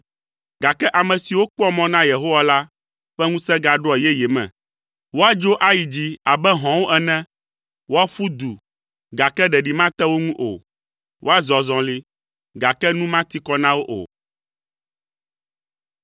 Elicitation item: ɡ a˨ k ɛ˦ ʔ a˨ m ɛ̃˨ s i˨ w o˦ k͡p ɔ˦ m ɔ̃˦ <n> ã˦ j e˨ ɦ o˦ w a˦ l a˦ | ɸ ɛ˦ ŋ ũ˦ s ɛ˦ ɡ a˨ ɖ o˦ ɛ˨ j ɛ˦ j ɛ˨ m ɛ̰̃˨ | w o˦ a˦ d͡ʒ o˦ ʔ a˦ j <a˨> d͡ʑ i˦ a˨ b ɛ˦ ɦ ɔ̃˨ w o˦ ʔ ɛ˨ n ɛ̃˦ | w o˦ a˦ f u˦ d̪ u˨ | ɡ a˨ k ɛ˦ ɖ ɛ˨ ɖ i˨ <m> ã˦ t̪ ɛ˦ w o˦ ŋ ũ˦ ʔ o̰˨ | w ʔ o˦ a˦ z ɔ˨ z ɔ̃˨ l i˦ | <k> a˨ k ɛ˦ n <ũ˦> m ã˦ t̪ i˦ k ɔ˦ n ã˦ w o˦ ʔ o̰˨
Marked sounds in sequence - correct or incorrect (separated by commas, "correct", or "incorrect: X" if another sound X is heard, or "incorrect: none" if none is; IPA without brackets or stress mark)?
correct, incorrect: i˨, correct, incorrect: ɡ, correct